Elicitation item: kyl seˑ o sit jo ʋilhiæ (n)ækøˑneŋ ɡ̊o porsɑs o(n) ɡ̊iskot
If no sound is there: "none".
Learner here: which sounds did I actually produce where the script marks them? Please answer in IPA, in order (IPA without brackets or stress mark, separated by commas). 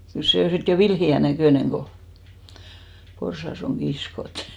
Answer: n, ŋ